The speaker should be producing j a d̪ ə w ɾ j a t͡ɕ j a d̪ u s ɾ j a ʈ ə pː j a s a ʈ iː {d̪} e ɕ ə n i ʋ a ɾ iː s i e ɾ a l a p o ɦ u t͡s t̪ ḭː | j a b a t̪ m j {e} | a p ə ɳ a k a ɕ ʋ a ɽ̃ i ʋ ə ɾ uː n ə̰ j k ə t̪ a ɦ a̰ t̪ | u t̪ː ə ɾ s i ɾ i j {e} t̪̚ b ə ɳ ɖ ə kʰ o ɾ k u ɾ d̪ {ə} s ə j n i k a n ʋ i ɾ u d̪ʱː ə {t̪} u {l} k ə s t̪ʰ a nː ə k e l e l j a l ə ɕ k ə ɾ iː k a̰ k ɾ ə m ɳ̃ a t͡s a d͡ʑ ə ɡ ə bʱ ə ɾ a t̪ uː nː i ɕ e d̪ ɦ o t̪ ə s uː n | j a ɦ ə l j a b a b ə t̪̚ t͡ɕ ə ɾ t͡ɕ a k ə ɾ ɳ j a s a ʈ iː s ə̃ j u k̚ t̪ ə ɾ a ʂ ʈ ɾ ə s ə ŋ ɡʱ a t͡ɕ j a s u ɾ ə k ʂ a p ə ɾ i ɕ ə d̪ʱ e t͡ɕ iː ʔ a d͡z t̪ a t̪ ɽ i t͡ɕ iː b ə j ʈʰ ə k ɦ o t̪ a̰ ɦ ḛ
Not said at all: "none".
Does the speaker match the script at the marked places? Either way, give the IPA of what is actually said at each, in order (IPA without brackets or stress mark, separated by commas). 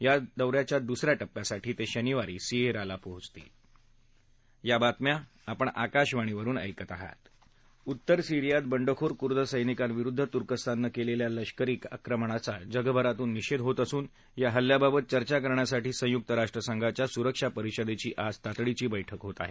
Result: t̪, a, a, ə, t̪, ɾ